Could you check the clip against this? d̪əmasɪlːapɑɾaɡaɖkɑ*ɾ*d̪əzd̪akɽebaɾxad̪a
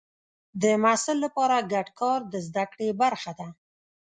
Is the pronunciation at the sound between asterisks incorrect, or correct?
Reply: correct